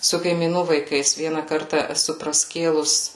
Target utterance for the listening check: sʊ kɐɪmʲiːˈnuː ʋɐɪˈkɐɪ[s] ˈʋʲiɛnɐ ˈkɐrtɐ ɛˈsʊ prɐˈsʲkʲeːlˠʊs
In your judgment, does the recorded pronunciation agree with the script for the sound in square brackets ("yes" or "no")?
yes